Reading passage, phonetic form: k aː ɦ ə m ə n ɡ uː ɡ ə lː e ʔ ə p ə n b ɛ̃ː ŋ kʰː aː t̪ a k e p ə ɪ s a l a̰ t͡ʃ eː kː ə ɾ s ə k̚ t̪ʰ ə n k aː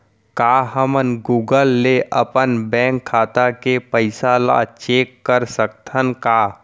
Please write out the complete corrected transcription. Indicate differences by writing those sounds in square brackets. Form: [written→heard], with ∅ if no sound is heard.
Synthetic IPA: k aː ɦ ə m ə n ɡ uː ɡ ə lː e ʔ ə p ə n b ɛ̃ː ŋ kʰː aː t̪ a k e p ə ɪ s a l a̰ t͡ʃ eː kː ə ɾ s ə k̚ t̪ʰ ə n k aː